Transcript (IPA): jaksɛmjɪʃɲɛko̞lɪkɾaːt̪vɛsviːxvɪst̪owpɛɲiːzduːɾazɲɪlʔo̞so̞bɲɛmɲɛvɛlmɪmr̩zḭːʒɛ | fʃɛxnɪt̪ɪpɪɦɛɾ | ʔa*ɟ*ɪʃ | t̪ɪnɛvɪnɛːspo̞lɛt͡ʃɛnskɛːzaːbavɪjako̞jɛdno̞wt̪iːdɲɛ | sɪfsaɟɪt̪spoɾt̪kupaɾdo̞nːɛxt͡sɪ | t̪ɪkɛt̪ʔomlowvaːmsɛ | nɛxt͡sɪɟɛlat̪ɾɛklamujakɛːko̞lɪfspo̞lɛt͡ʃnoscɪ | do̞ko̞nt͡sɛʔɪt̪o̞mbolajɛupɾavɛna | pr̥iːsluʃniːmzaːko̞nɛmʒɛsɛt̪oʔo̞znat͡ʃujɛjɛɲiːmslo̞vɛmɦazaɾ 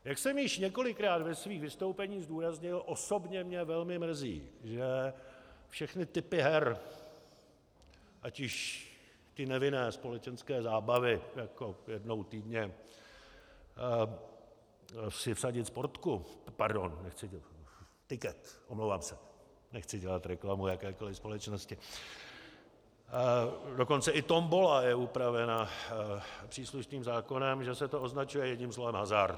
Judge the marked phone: incorrect: c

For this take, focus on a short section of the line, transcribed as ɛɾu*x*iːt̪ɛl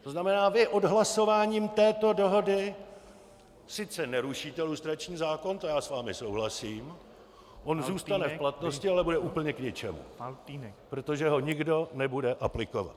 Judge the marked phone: incorrect: ʃ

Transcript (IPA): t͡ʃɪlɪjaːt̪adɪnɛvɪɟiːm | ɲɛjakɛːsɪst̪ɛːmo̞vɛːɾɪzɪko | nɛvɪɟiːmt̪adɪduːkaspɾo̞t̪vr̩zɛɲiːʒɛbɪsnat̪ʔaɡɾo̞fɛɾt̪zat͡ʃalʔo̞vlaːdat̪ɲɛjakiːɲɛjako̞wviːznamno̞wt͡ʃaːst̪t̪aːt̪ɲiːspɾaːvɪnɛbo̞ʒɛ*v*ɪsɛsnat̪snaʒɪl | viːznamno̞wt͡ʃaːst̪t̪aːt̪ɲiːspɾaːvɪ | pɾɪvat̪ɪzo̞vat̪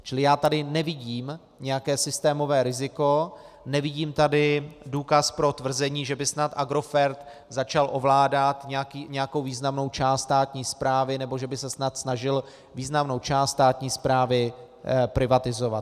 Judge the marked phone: incorrect: b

